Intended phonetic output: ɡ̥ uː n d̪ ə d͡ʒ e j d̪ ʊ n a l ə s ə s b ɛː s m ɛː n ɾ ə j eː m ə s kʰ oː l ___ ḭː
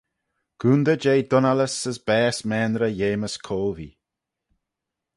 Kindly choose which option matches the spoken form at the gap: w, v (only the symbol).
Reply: v